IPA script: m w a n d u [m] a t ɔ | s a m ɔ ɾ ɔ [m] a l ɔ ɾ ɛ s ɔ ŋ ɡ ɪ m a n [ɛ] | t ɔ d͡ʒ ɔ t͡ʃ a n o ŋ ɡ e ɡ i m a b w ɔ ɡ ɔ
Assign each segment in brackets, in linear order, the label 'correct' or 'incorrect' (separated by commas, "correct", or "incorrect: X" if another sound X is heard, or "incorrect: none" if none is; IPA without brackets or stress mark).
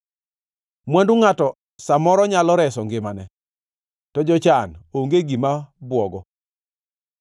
incorrect: ŋ, incorrect: ɲ, correct